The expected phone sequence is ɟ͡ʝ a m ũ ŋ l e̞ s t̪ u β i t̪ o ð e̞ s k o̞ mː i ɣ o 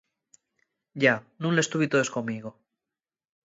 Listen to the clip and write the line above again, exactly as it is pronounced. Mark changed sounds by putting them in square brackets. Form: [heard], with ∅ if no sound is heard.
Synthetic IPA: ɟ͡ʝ a [n] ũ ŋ l e̞ s t̪ u β i t̪ o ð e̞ s k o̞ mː i ɣ o